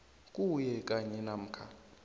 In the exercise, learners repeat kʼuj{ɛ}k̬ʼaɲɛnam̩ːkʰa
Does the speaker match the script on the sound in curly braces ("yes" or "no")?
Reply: yes